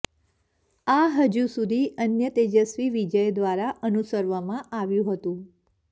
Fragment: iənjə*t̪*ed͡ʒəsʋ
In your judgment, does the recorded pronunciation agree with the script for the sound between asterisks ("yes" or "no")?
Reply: yes